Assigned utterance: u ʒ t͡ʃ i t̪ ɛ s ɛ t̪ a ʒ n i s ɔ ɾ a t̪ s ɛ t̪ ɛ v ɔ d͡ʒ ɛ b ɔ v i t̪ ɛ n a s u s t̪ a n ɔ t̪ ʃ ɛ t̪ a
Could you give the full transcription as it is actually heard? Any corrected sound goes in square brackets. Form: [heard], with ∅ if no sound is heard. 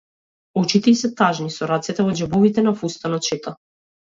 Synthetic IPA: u [∅] t͡ʃ i t̪ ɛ s ɛ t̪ a ʒ n i s ɔ ɾ a t̪ s ɛ t̪ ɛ v ɔ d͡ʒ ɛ b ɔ v i t̪ ɛ n a [f] u s t̪ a n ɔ t̪ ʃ ɛ t̪ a